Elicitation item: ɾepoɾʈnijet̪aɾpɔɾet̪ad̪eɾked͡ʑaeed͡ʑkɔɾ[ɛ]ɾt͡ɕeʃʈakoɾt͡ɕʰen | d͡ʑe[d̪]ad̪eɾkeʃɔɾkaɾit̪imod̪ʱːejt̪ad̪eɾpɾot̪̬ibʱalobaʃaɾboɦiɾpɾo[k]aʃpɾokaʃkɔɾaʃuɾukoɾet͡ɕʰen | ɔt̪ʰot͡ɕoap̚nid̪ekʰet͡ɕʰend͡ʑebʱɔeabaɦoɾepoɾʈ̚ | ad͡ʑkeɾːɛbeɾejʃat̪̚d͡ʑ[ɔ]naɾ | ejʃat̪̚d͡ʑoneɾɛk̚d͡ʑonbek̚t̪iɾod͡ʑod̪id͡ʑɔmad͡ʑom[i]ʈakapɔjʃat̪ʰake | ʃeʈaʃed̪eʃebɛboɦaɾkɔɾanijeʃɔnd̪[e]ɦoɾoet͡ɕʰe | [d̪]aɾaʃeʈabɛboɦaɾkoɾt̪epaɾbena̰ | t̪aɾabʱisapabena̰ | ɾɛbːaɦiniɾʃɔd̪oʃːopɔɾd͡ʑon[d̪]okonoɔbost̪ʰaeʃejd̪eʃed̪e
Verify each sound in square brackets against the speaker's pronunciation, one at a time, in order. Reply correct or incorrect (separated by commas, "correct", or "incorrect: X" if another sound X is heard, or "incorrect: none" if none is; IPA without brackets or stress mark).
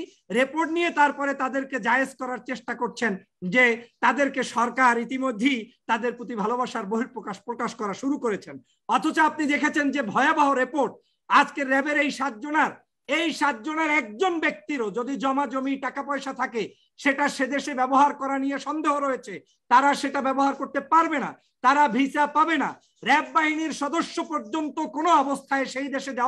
incorrect: a, incorrect: t̪, correct, incorrect: o, correct, correct, incorrect: t̪, incorrect: t̪